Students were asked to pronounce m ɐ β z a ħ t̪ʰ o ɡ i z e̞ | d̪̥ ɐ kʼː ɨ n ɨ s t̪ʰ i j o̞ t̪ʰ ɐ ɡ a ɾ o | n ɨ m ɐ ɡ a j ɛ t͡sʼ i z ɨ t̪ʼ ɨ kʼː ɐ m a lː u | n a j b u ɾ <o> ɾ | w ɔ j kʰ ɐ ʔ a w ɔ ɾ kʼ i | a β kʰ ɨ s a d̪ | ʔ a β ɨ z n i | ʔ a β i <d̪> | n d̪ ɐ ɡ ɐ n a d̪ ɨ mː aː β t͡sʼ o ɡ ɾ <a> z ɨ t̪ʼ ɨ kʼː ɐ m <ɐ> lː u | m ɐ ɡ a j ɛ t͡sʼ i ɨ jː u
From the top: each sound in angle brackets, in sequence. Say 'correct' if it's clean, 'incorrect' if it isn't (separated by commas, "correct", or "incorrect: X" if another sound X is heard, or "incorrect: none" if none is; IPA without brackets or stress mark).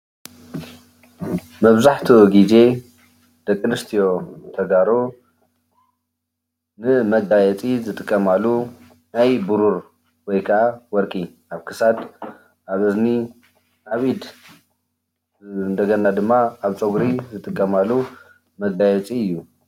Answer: incorrect: u, correct, incorrect: i, incorrect: a